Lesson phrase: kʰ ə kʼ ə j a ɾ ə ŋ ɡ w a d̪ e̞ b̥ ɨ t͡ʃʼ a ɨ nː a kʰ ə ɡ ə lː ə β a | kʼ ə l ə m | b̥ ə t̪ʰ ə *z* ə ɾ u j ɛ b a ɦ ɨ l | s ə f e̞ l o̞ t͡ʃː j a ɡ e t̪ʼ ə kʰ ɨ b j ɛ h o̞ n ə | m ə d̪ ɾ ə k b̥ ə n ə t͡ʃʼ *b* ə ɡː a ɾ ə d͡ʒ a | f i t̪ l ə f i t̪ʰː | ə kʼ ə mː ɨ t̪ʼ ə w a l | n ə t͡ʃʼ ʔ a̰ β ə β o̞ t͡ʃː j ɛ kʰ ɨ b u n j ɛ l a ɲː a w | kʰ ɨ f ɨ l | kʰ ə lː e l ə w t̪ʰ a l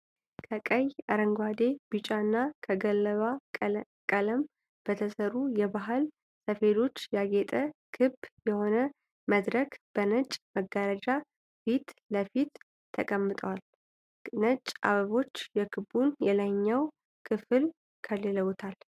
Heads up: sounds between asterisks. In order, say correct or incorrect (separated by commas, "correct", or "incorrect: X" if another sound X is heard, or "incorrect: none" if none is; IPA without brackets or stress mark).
incorrect: s, incorrect: m